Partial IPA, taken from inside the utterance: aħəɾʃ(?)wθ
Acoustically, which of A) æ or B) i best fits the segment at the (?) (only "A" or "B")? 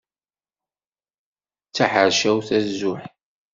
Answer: A